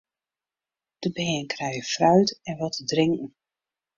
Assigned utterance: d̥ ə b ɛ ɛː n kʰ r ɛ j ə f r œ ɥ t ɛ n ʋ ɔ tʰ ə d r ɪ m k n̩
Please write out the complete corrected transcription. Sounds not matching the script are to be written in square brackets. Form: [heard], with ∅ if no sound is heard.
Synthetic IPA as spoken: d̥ ə b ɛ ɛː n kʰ r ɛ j ə f r œ ɥ t ɛ n ʋ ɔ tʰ ə d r ɪ [ŋ] k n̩

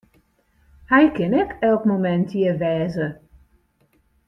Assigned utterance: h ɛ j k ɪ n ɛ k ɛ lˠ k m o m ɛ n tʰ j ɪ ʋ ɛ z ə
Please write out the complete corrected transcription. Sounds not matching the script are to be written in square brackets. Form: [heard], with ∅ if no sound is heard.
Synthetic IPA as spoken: h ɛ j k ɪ n ɛ k ɛ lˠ k m o m ɛ n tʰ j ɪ ʋ [ɛː] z ə

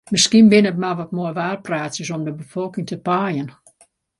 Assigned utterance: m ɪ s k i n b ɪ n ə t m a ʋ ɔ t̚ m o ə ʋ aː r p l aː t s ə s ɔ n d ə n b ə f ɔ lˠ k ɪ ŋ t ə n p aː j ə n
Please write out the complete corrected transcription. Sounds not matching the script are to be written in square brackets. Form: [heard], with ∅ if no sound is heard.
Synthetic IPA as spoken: m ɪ s k i n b ɪ n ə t m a ʋ ɔ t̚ m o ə ʋ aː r p [r] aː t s ə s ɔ [m] d ə [∅] b ə f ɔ lˠ k ɪ ŋ t ə [∅] p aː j ə n

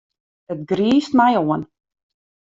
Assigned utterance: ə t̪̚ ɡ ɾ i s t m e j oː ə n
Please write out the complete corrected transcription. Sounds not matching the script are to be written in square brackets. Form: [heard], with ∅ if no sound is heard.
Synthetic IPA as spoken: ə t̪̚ ɡ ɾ [iː] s t m [a] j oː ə n

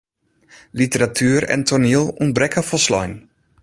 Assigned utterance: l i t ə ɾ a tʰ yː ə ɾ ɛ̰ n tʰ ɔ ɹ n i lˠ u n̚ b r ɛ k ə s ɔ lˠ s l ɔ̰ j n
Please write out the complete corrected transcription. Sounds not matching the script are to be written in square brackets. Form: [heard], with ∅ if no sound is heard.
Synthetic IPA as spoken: l i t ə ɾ a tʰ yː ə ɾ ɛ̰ n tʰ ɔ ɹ n i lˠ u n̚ b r ɛ k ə [f] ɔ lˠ s l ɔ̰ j n

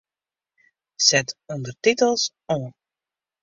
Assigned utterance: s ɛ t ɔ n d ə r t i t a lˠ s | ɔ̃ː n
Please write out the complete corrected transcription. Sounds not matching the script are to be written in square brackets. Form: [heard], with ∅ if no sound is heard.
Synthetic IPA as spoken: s ɛ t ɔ n d ə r t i t [ə] lˠ s | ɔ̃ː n

